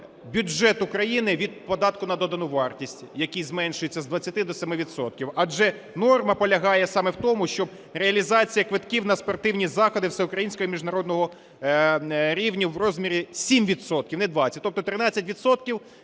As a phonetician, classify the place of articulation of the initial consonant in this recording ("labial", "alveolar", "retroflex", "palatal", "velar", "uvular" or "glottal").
labial